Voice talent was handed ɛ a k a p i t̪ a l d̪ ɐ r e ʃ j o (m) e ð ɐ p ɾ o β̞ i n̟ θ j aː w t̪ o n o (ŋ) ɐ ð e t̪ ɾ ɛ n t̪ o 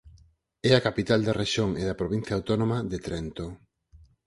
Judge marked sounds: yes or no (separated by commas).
no, no